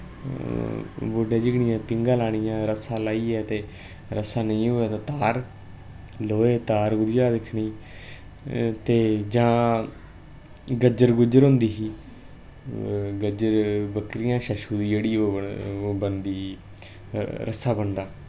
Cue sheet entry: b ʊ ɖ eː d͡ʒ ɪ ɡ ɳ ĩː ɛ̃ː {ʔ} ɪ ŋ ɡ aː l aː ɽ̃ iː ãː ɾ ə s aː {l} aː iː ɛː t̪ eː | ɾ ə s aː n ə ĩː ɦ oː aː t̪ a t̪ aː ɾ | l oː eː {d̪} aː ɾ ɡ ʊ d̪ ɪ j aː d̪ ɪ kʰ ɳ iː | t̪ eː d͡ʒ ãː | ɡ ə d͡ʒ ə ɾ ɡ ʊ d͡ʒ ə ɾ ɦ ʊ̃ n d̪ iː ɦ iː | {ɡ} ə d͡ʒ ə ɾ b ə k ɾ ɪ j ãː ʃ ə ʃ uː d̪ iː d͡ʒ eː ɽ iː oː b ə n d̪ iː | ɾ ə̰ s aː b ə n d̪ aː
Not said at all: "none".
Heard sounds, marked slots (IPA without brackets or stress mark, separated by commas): p, l, t̪, ɡ